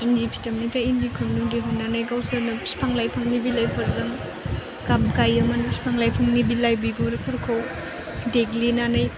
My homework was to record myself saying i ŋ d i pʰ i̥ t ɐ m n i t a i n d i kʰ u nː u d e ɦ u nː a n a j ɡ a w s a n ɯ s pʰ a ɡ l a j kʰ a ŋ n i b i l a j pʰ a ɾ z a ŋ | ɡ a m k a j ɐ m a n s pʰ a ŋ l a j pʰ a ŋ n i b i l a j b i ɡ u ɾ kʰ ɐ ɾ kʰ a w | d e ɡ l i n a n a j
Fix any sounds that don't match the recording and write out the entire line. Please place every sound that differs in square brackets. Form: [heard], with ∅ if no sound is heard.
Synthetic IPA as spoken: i [n] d i pʰ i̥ t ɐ m n i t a i n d i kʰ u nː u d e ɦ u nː a n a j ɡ a w s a n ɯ s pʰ a [ŋ] l a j [pʰ] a ŋ n i b i l a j pʰ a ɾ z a ŋ | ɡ a m k a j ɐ m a n s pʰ a ŋ l a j pʰ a ŋ n i b i l a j b i ɡ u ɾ [pʰ] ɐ ɾ kʰ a w | d e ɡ l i n a n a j